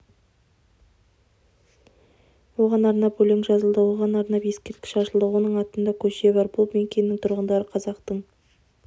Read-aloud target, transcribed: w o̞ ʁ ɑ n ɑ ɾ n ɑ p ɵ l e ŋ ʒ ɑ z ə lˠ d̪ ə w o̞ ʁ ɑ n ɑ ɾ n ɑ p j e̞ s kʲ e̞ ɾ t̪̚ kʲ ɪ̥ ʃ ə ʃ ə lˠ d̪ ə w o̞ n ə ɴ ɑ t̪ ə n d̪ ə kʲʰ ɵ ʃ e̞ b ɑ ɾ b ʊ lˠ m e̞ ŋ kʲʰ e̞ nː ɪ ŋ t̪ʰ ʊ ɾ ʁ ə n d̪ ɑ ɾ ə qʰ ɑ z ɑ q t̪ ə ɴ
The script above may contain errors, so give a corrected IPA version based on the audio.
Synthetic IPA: w o̞ ʁ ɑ n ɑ ɾ n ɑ p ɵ l e ŋ ʒ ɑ z ə lˠ d̪ ə w o̞ ʁ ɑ n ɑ ɾ n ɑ p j e̞ s kʲ e̞ ɾ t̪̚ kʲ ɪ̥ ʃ ɑ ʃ ə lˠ d̪ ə w o̞ n ə ɴ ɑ t̪ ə n d̪ ɑ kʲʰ ɵ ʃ e̞ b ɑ ɾ b ʊ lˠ m e̞ ŋ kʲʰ e̞ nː ɪ ŋ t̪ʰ ʊ ɾ ʁ ə n d̪ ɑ ɾ ə qʰ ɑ z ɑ q t̪ ə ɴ